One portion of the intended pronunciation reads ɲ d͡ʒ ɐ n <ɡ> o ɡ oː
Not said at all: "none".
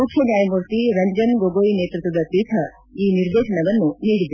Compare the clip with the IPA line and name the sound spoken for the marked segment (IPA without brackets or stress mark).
ɡ